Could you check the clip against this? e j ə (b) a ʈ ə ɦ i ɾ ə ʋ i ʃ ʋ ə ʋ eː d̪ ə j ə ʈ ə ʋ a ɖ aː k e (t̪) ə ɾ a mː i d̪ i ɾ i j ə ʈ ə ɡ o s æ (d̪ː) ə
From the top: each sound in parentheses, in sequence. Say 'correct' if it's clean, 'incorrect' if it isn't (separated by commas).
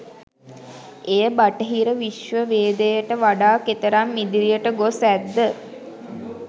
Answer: correct, correct, correct